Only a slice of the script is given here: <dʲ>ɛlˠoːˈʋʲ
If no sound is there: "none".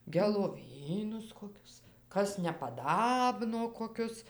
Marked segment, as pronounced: ɡʲ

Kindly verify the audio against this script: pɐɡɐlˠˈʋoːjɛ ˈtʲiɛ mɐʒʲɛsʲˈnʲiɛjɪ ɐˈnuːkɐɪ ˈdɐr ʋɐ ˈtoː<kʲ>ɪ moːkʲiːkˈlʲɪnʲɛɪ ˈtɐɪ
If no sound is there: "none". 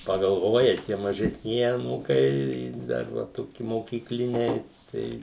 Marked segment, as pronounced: kʲ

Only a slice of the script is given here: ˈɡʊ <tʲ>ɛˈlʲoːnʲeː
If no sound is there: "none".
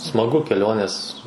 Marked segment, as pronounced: kʲ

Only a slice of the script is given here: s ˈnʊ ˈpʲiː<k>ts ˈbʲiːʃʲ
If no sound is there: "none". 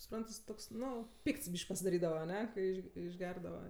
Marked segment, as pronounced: k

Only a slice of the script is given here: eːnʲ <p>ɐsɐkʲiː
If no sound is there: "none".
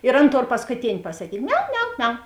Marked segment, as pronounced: p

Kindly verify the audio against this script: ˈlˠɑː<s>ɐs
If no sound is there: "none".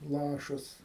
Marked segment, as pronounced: ʃ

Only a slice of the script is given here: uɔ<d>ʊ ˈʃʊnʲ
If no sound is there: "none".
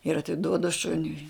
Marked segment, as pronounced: d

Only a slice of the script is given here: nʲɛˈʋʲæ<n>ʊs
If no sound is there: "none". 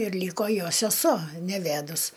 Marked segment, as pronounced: d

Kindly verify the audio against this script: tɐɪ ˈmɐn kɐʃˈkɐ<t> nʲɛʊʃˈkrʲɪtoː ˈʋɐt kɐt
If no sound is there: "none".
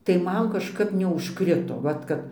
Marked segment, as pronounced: p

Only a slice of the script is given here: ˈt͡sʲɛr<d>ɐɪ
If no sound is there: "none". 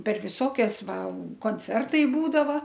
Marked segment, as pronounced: t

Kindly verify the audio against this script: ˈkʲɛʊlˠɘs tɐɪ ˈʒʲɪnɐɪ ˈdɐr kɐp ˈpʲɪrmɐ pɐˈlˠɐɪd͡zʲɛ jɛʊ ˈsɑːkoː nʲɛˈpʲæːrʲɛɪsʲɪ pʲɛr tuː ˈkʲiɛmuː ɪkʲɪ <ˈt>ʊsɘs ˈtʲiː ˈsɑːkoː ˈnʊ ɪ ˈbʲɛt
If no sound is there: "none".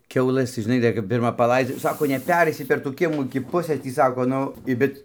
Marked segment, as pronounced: p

